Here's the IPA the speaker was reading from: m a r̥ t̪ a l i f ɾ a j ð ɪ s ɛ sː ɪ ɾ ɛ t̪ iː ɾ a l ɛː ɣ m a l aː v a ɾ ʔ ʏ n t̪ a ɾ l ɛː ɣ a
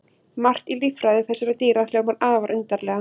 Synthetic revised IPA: m a r̥ t̪ i l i f ɾ a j ð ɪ θ ɛ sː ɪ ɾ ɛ t̪ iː ɾ a l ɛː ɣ m a ɾ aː v a ɾ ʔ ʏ n t̪ a ɾ l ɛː ɣ a